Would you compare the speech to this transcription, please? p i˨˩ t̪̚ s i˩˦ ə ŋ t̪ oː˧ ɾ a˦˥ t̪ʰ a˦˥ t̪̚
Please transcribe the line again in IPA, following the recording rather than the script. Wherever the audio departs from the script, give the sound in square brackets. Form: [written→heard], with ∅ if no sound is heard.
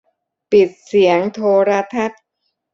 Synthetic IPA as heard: p i˨˩ t̪̚ s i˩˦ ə ŋ [t̪→t̪ʰ] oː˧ ɾ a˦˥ t̪ʰ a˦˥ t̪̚